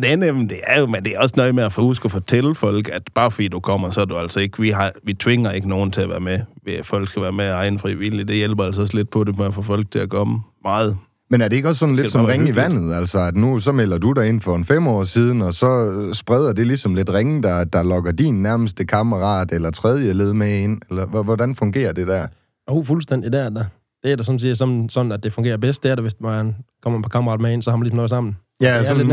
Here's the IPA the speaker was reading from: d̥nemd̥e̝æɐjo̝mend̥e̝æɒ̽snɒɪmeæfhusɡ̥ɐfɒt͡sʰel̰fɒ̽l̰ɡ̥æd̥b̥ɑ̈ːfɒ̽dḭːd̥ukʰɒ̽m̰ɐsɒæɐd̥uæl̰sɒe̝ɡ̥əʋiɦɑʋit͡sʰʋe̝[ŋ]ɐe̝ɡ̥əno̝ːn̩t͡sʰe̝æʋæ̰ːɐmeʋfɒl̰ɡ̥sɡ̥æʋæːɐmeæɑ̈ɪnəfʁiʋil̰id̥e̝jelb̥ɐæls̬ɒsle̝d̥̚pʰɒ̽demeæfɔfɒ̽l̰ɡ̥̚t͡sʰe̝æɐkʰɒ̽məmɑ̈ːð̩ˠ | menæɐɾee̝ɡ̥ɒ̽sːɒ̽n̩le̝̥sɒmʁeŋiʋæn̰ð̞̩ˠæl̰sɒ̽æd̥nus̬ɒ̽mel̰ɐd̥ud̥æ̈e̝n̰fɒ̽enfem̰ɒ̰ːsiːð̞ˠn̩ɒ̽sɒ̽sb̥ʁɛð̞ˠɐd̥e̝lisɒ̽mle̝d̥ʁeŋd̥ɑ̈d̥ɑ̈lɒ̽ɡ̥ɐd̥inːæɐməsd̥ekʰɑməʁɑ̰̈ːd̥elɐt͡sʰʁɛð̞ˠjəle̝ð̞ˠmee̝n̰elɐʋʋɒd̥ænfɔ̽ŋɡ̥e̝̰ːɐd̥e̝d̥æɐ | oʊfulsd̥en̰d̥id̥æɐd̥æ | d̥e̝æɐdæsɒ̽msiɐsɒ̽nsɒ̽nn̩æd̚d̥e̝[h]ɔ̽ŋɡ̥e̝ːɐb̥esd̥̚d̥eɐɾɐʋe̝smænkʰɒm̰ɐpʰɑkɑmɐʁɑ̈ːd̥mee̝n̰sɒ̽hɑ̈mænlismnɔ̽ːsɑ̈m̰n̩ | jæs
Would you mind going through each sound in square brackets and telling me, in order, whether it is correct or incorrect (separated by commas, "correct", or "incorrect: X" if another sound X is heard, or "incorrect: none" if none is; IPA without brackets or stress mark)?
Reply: correct, incorrect: f